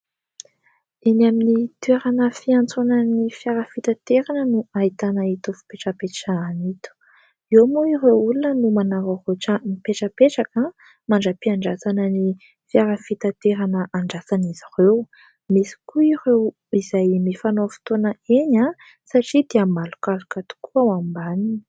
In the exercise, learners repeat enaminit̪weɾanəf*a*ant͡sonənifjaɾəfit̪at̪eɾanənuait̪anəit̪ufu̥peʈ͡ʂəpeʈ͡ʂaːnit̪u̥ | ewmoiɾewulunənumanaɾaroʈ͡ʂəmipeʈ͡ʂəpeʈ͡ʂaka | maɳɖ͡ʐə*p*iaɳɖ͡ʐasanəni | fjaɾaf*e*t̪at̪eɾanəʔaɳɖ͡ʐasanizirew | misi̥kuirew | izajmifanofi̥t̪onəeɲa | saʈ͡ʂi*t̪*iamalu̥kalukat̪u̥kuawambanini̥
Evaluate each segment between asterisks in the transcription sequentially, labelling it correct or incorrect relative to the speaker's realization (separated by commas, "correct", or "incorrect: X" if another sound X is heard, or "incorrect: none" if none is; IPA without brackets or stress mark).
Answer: incorrect: i, correct, incorrect: i, incorrect: d̪